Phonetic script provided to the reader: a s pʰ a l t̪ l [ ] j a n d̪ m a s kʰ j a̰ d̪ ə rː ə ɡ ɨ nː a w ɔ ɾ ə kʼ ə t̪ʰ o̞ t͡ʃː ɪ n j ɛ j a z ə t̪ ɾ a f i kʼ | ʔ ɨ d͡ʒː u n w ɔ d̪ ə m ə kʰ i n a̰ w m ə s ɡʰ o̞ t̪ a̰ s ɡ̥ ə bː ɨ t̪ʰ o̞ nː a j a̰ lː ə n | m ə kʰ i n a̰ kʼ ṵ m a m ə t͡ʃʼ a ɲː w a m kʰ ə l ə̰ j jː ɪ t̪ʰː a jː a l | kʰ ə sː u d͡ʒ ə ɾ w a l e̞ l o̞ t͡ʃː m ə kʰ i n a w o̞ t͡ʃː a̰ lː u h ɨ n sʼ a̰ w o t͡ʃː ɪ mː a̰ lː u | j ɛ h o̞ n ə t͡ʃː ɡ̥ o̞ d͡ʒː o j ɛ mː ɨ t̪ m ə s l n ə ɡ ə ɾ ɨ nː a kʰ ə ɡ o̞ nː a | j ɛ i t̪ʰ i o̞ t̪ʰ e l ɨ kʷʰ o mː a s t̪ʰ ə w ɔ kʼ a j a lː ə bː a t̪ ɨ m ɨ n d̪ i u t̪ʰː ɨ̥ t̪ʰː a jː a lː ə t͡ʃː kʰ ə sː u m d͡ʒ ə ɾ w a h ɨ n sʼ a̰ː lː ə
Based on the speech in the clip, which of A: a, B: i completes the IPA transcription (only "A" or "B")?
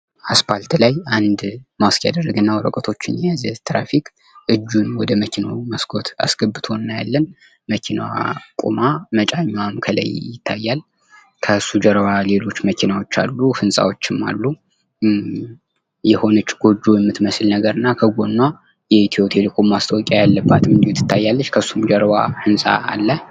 A